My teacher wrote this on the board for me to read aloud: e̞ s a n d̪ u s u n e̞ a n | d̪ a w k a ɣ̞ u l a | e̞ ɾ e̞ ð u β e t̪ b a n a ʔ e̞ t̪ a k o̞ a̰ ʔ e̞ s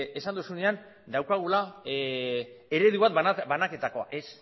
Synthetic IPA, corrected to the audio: e̞ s a n d̪ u s u n e̞ a n | d̪ a w k a ɣ̞ u l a | e̞ ɾ e̞ ð u β a t̪ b a n a k e̞ t̪ a k o̞ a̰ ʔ e̞ s